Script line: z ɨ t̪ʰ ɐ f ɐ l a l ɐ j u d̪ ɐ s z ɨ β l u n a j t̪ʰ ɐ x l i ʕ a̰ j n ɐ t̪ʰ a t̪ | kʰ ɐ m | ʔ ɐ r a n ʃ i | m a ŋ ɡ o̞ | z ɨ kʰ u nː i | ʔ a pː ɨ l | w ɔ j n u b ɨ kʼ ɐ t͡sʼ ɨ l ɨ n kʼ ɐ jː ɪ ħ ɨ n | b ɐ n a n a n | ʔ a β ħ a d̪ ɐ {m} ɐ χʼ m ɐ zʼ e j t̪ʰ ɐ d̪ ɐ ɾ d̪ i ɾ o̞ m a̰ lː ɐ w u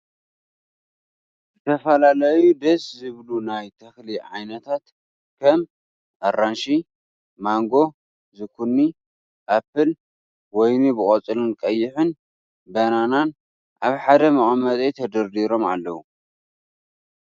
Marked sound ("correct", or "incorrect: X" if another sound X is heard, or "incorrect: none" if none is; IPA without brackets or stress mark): correct